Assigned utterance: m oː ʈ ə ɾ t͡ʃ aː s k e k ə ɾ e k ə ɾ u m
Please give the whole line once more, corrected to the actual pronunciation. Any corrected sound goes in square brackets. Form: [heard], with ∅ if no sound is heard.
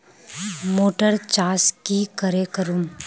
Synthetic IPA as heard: m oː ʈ ə ɾ t͡ʃ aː s k [i] k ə ɾ e k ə ɾ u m